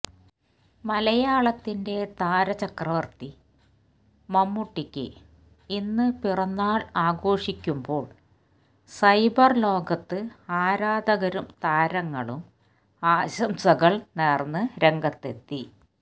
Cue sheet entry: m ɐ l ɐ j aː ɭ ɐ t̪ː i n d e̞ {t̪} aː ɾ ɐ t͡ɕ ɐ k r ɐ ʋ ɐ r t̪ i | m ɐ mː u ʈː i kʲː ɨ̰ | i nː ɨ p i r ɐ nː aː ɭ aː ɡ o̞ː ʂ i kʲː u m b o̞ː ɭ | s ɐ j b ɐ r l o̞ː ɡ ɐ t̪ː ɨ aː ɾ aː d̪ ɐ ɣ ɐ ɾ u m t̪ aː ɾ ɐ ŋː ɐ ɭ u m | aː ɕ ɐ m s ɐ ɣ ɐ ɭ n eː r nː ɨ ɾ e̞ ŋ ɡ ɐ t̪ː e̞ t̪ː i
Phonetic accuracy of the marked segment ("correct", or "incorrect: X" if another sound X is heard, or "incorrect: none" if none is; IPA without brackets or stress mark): correct